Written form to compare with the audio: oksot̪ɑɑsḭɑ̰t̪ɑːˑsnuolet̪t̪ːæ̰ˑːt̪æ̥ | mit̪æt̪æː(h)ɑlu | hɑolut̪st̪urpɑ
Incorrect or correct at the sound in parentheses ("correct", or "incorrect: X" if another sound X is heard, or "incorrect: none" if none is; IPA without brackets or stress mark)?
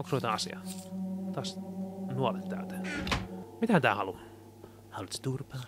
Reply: correct